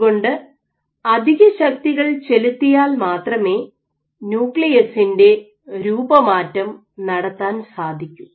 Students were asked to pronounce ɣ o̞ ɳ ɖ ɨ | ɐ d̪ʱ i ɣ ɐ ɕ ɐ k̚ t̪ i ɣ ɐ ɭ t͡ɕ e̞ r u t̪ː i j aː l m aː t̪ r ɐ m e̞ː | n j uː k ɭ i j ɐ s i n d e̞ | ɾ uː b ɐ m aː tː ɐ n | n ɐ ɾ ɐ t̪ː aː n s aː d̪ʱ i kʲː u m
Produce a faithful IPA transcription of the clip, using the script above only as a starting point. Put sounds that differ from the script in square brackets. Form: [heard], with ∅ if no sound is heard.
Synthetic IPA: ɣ o̞ ɳ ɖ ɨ | ɐ d̪ʱ i ɣ ɐ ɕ ɐ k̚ t̪ i ɣ ɐ ɭ t͡ɕ e̞ [l] u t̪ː i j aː l m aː t̪ r ɐ m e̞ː | n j uː k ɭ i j ɐ s i n d e̞ | ɾ uː b ɐ m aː tː ɐ [m] | n ɐ [ɽ] ɐ t̪ː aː n s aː d̪ʱ i kʲː u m